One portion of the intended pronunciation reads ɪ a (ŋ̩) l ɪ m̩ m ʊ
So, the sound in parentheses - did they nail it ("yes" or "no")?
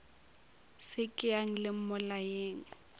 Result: yes